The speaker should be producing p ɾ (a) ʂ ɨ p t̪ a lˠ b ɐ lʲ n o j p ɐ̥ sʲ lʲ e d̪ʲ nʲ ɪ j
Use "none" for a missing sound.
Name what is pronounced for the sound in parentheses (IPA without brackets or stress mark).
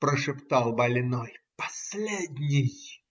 ə